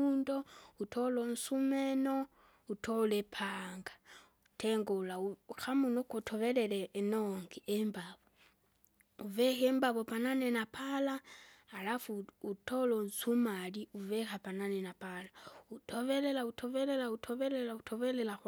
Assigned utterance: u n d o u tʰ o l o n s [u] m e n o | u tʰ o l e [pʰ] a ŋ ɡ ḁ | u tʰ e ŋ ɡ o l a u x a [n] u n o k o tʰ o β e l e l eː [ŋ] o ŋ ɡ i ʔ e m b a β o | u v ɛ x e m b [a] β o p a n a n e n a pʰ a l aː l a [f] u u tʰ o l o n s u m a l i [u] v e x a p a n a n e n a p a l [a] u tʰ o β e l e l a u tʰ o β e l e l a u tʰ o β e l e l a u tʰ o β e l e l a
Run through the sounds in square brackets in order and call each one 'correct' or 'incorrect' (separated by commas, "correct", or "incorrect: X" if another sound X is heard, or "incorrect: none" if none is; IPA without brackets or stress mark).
correct, correct, incorrect: m, incorrect: n, correct, correct, correct, correct